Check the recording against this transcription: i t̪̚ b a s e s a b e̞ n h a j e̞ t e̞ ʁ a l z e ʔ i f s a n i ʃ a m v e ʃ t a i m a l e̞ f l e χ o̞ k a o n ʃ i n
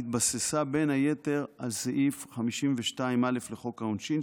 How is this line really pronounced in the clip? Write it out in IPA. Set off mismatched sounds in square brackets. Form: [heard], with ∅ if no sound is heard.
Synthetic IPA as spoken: i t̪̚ b a s e s a b e̞ n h a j e̞ t e̞ ʁ a l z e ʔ i f [χ] a [m] i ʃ [i] m v e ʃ t a i m a l e̞ f l e χ o̞ k a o n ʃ i n